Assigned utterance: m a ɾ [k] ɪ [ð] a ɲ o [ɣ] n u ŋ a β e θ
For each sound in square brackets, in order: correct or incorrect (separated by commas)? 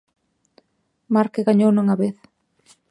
correct, incorrect, incorrect